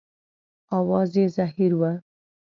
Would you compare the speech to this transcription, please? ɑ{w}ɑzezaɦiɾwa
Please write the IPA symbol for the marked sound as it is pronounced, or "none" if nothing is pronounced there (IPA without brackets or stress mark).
w